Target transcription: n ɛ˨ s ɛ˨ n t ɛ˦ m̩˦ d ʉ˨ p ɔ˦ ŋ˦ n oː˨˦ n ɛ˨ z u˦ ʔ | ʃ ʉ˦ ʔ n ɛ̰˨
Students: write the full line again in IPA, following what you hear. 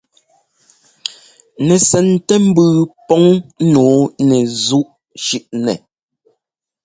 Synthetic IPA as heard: n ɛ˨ s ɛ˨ n t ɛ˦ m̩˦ b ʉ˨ p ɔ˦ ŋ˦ n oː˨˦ n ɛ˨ z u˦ ʔ | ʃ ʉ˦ ʔ n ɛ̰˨